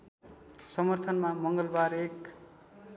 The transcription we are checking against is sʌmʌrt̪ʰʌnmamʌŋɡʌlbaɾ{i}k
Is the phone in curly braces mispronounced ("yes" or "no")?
yes